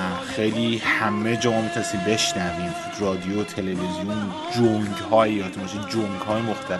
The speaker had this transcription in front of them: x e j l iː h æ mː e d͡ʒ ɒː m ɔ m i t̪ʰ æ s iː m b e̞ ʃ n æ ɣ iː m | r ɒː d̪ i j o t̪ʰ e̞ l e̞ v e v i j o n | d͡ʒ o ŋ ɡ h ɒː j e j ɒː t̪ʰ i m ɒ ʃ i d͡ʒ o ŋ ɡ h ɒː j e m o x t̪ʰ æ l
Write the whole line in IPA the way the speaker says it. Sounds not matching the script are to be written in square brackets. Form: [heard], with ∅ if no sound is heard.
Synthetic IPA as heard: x e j l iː h æ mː e d͡ʒ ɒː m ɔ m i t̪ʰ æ s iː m b e̞ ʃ n æ [v] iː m | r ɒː d̪ i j o t̪ʰ e̞ l e̞ v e [z] i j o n | d͡ʒ o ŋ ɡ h ɒː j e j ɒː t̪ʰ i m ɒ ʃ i d͡ʒ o ŋ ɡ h ɒː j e m o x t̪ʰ æ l